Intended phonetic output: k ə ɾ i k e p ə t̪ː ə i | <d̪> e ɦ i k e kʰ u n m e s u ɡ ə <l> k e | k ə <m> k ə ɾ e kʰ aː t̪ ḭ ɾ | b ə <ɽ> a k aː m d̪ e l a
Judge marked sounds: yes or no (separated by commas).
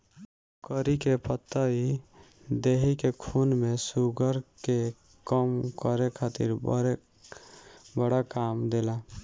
yes, no, yes, yes